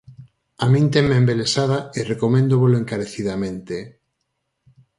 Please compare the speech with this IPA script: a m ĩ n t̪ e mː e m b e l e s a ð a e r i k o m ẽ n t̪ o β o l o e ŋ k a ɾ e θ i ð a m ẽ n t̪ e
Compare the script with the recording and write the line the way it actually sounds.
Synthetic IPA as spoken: a m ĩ n t̪ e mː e m b e l e s a ð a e r e k o m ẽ n d̪ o β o l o e ŋ k a ɾ e θ i ð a m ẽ n t̪ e